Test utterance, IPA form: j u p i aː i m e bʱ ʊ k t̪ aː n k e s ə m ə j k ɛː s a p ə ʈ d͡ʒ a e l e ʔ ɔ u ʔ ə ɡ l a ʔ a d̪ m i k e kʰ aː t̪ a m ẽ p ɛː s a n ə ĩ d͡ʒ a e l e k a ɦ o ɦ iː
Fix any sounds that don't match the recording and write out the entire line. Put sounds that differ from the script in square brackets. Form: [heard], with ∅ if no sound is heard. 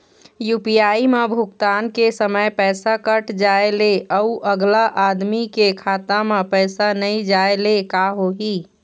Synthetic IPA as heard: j u p i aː i m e bʱ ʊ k t̪ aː n k e s ə m ə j [p] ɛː s a [k] ə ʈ d͡ʒ a e l e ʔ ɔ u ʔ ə ɡ l a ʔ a d̪ m i k e kʰ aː t̪ a m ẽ p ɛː s a n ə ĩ d͡ʒ a e l e k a ɦ o ɦ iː

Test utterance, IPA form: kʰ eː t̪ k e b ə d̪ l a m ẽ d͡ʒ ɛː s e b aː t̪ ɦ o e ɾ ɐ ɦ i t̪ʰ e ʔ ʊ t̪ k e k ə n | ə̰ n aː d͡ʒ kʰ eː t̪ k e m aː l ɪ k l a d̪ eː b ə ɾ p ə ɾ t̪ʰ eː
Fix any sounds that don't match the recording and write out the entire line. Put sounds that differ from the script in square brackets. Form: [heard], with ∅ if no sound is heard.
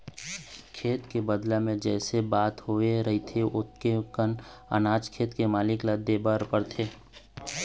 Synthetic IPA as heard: kʰ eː t̪ k e b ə d̪ l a m ẽ d͡ʒ ɛː s e b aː t̪ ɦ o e ɾ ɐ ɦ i t̪ʰ e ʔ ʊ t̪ k e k ə n | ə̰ n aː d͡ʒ kʰ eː t̪ k e m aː l ɪ k l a d̪ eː b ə ɾ p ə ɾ t̪ʰ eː

